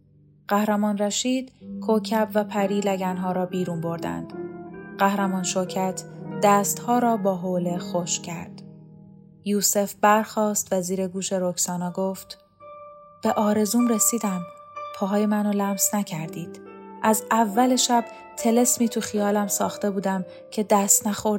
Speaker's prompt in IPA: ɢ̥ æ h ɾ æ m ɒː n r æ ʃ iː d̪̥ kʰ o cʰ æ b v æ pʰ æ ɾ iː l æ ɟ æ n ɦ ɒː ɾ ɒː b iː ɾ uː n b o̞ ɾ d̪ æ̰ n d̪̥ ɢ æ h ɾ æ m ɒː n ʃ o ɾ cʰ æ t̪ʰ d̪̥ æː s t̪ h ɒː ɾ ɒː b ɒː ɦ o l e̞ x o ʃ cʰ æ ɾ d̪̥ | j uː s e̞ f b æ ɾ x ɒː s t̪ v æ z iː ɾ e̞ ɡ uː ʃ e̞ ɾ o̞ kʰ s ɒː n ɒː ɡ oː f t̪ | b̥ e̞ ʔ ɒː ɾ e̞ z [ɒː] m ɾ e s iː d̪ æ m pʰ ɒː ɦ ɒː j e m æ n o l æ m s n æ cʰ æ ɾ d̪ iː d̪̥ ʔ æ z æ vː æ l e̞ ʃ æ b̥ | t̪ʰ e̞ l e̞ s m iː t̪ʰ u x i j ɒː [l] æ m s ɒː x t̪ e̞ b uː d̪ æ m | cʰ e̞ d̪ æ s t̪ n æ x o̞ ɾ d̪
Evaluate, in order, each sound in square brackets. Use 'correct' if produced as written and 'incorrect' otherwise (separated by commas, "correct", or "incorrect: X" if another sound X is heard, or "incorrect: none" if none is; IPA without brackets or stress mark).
incorrect: uː, correct